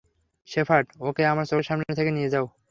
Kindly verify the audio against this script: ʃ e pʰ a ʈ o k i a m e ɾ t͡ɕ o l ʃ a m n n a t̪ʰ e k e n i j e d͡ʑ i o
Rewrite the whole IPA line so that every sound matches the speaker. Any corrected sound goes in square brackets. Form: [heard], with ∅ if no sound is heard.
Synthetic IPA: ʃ e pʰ a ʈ o k [e] a m [a] ɾ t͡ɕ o [ɾ] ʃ a m n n [e] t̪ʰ e k e n i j e d͡ʑ [a] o

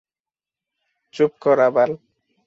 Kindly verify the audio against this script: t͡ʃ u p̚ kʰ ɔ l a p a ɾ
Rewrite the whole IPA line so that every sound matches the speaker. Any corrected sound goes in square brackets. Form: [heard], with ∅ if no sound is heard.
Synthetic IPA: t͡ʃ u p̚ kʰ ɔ [ɾ] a [b] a [l]

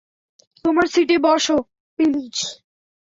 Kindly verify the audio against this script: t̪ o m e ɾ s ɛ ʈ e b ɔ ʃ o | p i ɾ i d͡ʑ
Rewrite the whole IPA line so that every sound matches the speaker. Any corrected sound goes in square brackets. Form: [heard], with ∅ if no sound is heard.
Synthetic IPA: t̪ o m [a] ɾ s [i] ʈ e b ɔ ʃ o | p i [l] i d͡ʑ

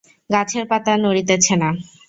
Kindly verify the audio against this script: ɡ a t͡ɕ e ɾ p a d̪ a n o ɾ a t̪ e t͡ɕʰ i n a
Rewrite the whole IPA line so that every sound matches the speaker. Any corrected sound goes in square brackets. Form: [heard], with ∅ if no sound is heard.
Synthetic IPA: ɡ a [t͡ɕʰ] e ɾ p a [t̪] a n o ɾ [i] t̪ e t͡ɕʰ [e] n a

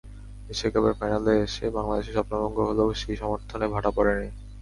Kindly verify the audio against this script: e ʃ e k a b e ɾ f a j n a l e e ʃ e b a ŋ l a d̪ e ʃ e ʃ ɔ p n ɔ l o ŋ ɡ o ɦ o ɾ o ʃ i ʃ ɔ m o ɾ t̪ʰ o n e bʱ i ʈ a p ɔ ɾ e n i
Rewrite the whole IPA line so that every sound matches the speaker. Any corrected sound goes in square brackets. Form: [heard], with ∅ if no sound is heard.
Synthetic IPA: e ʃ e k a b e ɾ f a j n a l e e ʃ e b a ŋ l a d̪ e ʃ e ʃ ɔ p n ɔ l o ŋ ɡ o ɦ o [l] o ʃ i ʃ ɔ m o ɾ t̪ʰ o n e bʱ [a] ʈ a p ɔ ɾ e n i

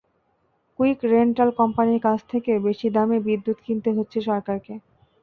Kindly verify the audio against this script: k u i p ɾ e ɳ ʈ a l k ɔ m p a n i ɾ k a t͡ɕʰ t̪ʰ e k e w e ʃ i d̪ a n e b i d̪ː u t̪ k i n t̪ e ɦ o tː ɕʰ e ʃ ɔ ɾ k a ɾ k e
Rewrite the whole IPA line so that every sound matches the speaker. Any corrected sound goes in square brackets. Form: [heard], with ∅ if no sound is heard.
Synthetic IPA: k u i [k] ɾ e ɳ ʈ a l k ɔ m p a n i ɾ k a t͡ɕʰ t̪ʰ e k e [b] e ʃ i d̪ a [m] e b i d̪ː u t̪ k i n t̪ e ɦ o tː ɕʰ e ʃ ɔ ɾ k a ɾ k e

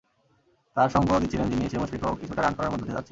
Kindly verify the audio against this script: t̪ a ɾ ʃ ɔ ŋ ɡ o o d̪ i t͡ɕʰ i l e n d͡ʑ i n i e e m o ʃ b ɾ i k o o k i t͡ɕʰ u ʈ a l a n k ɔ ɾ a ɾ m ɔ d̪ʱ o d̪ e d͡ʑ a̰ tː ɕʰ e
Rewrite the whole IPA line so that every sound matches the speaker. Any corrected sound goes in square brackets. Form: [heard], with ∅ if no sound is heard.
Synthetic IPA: t̪ a ɾ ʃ ɔ ŋ ɡ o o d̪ i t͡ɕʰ i l e n d͡ʑ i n i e e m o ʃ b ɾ i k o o k i t͡ɕʰ u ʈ a [ɾ] a n k ɔ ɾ a ɾ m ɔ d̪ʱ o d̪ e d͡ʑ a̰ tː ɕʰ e

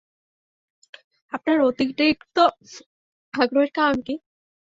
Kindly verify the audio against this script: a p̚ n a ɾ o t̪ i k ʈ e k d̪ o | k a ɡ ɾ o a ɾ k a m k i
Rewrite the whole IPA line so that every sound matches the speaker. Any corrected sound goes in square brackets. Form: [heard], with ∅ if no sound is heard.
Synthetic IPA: a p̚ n a ɾ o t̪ i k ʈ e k [t̪] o | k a ɡ ɾ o [e] ɾ k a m k i

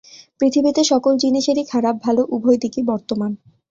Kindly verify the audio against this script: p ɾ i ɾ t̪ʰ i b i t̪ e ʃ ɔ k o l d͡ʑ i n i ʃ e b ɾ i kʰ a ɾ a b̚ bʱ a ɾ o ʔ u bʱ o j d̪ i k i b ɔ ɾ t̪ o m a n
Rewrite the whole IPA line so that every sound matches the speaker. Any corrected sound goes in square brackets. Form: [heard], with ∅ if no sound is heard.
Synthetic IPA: p ɾ i [∅] t̪ʰ i b i t̪ e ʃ ɔ k o l d͡ʑ i n i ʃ e [∅] ɾ i kʰ a ɾ a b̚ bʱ a [l] o ʔ u bʱ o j d̪ i k i b ɔ ɾ t̪ o m a n

